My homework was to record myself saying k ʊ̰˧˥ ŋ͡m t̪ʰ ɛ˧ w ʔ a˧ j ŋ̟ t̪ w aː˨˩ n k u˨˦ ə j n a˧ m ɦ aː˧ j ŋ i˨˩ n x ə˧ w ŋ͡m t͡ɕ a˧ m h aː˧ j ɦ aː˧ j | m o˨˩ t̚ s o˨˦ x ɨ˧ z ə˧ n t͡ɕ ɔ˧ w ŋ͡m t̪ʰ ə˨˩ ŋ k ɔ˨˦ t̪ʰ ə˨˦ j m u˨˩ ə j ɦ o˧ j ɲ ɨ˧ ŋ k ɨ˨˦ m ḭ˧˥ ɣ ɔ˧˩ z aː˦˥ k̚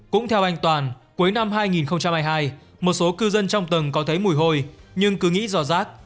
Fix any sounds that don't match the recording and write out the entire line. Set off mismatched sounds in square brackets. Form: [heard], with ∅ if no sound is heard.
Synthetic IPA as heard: k ʊ̰˧˥ ŋ͡m t̪ʰ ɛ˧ w ʔ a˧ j ŋ̟ t̪ w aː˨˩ n k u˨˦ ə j n a˧ m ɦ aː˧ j ŋ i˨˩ n x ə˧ w ŋ͡m t͡ɕ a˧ m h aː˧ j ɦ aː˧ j | m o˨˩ t̚ s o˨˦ [k] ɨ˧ z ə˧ n t͡ɕ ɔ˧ w ŋ͡m [t̪] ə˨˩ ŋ k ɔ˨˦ t̪ʰ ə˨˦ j m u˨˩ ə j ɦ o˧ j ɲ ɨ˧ ŋ k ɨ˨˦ [ŋ] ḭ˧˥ [z] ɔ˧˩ z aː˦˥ k̚